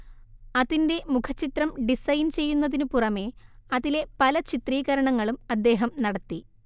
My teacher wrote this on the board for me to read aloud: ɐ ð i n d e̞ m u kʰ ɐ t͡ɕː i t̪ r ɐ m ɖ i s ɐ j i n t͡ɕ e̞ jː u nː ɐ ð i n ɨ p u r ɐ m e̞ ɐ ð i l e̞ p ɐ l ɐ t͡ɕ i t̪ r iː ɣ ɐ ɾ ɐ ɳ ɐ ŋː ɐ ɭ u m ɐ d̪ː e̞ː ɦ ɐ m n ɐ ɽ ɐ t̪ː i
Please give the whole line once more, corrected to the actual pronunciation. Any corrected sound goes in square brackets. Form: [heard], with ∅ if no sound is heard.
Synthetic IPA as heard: ɐ ð i n d e̞ m u kʰ ɐ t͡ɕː i t̪ r ɐ m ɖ i s ɐ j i n t͡ɕ e̞ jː u nː ɐ ð i n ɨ p u r ɐ m e̞ ɐ ð i l e̞ p ɐ l ɐ t͡ɕ i t̪ r iː ɣ ɐ ɾ ɐ ɳ ɐ ŋː ɐ ɭ u m ɐ d̪ː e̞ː ɦ ɐ m n ɐ ɽ ɐ t̪ː i

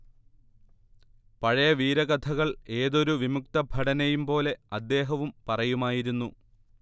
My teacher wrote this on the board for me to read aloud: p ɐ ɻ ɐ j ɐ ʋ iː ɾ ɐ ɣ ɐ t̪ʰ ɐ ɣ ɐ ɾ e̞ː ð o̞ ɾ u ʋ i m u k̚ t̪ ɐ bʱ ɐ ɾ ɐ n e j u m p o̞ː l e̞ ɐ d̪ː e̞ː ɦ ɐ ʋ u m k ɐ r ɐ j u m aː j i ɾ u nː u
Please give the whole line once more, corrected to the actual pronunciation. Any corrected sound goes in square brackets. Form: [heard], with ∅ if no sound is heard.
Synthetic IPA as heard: p ɐ ɻ ɐ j ɐ ʋ iː ɾ ɐ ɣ ɐ t̪ʰ ɐ ɣ ɐ [ɭ] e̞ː ð o̞ ɾ u ʋ i m u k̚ t̪ ɐ bʱ ɐ [ɽ] ɐ n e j u m p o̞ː l e̞ ɐ d̪ː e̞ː ɦ ɐ ʋ u m [p] ɐ r ɐ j u m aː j i ɾ u nː u

